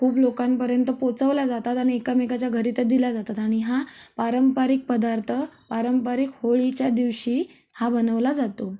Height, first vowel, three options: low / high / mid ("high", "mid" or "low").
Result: high